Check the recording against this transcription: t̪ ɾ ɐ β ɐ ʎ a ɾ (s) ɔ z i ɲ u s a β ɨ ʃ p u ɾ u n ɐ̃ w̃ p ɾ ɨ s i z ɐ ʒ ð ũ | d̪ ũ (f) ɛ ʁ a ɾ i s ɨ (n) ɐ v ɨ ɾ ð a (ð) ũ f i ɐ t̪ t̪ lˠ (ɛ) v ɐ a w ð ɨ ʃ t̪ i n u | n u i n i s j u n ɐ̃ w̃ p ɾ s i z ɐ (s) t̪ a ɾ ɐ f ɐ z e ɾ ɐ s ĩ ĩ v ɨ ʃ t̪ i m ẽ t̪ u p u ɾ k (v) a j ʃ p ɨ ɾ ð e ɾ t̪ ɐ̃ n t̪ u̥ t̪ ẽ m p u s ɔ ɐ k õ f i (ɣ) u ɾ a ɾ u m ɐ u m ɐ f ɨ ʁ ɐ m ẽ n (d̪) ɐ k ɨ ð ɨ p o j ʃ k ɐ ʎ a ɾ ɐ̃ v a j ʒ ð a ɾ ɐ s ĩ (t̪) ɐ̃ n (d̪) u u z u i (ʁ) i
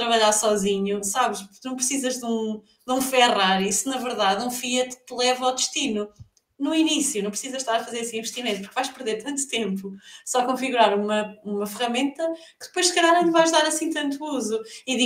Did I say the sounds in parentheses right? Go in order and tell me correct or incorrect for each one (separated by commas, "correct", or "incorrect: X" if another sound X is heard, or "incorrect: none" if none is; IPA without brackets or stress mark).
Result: correct, correct, correct, correct, correct, incorrect: ʃ, correct, correct, incorrect: t̪, correct, incorrect: t̪, incorrect: ð